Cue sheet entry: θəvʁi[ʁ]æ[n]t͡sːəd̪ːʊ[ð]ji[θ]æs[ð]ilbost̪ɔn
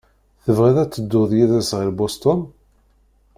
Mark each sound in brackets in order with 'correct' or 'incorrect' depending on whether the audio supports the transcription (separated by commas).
incorrect, incorrect, correct, incorrect, incorrect